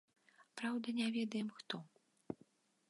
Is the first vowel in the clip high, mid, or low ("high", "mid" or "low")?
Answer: low